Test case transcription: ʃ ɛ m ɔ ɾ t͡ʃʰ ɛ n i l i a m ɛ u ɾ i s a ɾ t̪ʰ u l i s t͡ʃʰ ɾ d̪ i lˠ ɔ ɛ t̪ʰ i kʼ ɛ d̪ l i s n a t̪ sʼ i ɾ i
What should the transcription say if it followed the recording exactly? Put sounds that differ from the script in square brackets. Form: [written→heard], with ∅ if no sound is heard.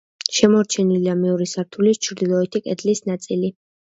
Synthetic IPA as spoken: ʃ ɛ m ɔ ɾ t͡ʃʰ ɛ n i l i a m ɛ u ɾ i s a ɾ t̪ʰ u l i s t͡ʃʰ ɾ d̪ i lˠ ɔ ɛ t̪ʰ i kʼ ɛ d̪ l i s n a t̪ sʼ i [ɾ→l] i